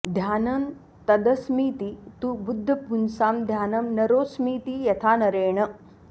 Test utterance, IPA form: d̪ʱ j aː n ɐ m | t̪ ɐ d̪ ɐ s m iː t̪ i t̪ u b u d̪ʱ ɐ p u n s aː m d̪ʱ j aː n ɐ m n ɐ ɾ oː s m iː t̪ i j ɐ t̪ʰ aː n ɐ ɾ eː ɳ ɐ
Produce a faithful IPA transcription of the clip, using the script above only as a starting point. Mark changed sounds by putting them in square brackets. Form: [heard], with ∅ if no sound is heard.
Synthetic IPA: d̪ʱ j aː n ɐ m | t̪ ɐ d̪ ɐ s m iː t̪ i t̪ u b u [d̪ʱː] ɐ p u n s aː m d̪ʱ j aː n ɐ m n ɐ ɾ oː s m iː t̪ i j ɐ t̪ʰ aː n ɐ ɾ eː ɳ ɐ